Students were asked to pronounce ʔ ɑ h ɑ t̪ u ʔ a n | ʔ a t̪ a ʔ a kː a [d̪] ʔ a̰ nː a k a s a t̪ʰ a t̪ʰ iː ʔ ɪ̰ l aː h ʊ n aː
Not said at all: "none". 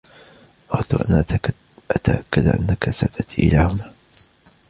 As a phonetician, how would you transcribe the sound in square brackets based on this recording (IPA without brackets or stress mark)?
d̪